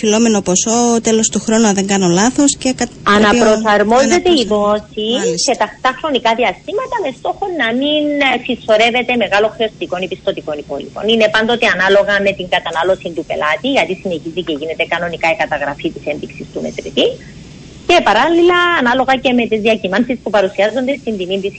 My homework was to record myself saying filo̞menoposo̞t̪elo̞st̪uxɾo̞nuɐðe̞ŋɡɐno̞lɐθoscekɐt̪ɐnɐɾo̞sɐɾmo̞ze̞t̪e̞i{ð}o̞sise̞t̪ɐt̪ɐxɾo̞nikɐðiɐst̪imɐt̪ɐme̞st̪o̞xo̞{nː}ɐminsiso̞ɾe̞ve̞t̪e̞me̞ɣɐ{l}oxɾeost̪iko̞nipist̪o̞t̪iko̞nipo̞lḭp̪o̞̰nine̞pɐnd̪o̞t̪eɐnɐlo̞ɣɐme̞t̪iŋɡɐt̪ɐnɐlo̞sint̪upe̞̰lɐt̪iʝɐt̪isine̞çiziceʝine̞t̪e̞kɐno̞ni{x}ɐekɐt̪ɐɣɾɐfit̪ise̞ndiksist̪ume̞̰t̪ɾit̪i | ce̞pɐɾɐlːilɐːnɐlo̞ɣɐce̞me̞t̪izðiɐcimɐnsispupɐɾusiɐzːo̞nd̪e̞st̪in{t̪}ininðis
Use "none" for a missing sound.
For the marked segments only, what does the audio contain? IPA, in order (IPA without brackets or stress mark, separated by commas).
ð, nː, l, k, d̪